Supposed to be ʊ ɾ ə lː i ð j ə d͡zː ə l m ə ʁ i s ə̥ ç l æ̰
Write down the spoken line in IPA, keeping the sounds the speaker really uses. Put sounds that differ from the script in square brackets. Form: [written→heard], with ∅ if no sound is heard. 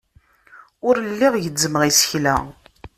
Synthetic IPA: ʊ ɾ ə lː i [ð→ʁ] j ə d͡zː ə [l→∅] m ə ʁ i s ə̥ ç l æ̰